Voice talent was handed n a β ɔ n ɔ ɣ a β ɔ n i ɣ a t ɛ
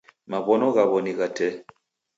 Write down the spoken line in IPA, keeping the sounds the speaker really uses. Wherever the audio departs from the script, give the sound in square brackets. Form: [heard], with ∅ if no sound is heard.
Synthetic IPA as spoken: [m] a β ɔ n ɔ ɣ a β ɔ n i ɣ a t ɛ